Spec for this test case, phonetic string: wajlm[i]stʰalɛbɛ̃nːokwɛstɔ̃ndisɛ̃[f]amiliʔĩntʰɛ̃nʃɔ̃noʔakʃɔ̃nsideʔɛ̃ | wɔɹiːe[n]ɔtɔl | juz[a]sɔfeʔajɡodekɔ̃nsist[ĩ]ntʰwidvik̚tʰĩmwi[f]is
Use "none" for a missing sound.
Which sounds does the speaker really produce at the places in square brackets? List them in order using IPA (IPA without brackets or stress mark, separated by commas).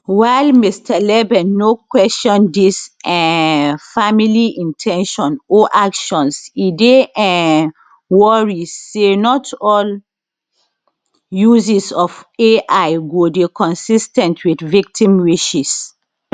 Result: i, f, n, i, ɛ̃, ʃ